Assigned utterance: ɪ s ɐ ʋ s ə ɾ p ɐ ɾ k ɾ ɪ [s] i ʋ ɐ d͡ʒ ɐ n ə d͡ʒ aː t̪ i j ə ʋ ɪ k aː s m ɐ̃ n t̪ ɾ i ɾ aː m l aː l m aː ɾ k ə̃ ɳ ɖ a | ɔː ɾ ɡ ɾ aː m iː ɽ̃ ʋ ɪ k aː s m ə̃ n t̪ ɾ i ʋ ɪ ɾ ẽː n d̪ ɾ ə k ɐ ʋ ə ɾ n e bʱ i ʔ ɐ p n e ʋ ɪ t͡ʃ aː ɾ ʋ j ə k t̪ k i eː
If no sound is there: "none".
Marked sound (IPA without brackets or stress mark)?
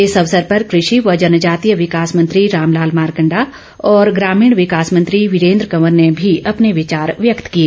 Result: ʃ